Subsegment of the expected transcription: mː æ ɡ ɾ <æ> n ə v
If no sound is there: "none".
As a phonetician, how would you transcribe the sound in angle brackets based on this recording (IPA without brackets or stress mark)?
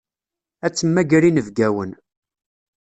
i